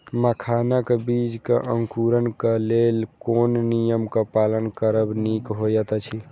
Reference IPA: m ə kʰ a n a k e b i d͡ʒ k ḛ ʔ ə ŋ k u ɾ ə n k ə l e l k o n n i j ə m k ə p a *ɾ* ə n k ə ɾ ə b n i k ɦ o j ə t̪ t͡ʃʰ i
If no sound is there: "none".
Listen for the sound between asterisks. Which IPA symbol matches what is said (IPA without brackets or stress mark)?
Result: l